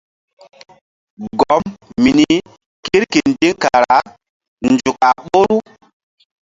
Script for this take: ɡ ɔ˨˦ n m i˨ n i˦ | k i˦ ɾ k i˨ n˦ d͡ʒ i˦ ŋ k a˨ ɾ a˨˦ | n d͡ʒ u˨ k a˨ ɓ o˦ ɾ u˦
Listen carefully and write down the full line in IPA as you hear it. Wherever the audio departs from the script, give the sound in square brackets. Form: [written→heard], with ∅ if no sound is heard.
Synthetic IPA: ɡ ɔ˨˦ [n→m] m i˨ n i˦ | k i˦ ɾ k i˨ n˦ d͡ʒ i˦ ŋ k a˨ ɾ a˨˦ | n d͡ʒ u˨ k a˨ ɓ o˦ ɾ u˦